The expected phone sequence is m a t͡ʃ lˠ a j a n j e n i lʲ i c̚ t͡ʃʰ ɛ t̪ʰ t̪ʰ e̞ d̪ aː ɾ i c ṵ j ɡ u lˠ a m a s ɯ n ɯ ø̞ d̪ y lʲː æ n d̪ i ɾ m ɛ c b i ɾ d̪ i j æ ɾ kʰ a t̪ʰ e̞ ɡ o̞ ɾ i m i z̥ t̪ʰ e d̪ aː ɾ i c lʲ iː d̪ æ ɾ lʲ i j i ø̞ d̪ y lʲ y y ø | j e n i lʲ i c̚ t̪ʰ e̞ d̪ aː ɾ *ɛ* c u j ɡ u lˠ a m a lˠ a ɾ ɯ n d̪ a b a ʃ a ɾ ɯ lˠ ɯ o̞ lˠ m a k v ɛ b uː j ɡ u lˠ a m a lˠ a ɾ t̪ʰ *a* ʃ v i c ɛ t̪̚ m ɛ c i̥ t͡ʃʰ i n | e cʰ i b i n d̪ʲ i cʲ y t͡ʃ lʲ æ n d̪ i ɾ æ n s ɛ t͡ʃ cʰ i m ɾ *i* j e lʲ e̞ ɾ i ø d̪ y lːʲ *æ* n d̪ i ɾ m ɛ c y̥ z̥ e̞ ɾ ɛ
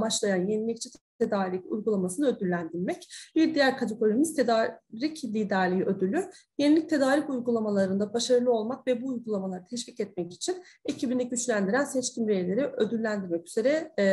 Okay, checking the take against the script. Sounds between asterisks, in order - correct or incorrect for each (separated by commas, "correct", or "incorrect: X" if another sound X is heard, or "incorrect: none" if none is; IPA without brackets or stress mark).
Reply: incorrect: i, incorrect: ɛ, incorrect: e, correct